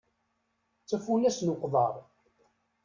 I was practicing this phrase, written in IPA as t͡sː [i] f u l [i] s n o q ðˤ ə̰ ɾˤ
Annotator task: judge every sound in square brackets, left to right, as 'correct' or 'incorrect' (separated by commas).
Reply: incorrect, incorrect